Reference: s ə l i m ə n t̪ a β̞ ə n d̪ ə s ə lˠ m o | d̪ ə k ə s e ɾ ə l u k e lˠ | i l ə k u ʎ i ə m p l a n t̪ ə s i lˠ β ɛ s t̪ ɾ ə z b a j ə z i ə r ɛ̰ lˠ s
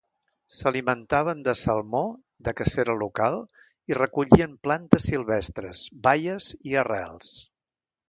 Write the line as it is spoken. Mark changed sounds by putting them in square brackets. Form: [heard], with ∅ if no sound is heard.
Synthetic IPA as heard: s ə l i m ə n t̪ a β̞ ə n d̪ ə s ə lˠ m o | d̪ ə k ə s e ɾ ə l u k [a] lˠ | i [r] ə k u ʎ i ə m p l a n t̪ ə s i lˠ β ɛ s t̪ ɾ ə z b a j ə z i ə r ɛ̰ lˠ s